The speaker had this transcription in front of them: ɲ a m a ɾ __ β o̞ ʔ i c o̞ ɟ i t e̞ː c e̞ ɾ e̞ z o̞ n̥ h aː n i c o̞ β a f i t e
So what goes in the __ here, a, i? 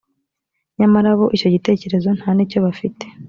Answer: a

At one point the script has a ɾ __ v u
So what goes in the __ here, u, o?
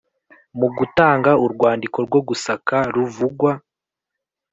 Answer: u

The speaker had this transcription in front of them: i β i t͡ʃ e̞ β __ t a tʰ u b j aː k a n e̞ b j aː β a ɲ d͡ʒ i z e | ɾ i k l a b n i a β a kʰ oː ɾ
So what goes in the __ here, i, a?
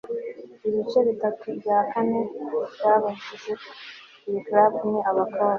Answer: i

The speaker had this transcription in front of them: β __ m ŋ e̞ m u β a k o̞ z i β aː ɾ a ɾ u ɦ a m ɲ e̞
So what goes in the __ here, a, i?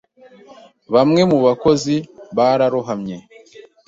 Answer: a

